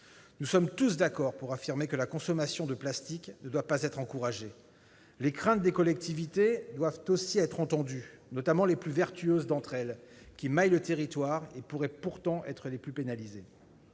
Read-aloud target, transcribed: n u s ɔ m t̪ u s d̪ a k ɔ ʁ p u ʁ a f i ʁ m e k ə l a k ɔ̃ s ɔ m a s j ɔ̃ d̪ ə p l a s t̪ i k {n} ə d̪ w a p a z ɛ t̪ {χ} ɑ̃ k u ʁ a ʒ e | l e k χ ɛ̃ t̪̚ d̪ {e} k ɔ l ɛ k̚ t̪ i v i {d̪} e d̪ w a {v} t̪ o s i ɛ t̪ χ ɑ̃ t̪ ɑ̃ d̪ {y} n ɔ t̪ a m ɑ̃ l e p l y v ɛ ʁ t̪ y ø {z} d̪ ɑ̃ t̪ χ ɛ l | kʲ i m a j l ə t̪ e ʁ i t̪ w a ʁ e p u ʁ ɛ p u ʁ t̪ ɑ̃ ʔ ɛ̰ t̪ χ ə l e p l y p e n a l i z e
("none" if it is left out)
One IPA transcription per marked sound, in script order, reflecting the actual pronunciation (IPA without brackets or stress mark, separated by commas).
n, χ, e, t̪, v, y, z